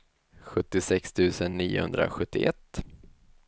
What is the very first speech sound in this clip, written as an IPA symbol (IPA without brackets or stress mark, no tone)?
ɧ